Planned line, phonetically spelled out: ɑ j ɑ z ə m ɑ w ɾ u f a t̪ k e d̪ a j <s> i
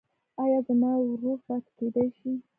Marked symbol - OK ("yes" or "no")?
no